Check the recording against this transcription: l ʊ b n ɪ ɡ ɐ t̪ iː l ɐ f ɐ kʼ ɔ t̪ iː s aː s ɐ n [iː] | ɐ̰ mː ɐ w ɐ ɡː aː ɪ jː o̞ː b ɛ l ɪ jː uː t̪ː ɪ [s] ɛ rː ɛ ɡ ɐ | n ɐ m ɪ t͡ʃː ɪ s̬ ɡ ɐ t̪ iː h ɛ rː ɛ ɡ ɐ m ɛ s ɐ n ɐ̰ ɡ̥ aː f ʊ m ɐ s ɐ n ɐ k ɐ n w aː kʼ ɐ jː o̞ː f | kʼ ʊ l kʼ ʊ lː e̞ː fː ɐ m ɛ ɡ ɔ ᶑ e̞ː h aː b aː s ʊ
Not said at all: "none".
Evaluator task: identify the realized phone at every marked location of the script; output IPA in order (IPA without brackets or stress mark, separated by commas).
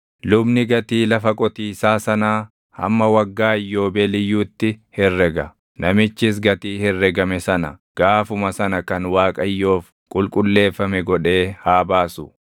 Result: aː, h